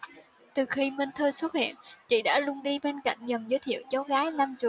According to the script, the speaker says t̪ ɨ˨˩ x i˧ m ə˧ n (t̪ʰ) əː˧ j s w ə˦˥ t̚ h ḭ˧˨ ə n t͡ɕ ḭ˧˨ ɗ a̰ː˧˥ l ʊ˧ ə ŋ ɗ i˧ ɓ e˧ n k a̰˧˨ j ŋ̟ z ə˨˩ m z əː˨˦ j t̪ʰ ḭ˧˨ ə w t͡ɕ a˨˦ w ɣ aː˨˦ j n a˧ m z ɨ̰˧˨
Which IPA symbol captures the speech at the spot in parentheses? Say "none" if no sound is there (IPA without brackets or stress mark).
t̪ʰ